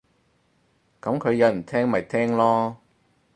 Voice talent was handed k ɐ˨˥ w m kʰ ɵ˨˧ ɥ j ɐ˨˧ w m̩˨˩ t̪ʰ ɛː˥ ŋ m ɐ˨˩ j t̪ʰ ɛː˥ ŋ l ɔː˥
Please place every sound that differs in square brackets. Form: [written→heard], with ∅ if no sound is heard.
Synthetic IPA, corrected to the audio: k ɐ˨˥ [w→∅] m kʰ ɵ˨˧ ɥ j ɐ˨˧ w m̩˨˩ t̪ʰ ɛː˥ ŋ m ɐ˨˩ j t̪ʰ ɛː˥ ŋ l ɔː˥